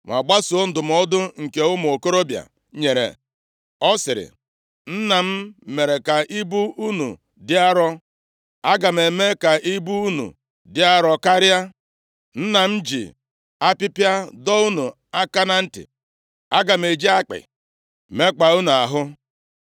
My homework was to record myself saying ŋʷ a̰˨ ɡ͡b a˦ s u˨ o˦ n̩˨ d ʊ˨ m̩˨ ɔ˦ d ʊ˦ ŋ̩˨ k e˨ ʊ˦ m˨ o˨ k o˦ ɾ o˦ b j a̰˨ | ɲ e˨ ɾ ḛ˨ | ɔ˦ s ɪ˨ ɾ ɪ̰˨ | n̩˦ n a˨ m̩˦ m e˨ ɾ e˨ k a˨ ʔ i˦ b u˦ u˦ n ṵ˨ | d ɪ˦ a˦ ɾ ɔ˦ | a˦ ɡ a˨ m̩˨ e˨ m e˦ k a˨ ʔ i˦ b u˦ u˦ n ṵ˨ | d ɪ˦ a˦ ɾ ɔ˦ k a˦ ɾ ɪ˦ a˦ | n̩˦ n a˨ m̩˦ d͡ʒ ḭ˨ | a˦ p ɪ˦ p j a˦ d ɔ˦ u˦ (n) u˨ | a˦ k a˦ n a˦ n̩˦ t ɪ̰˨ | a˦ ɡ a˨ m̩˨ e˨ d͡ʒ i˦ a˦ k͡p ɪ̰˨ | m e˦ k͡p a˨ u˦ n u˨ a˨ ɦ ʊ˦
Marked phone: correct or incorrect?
correct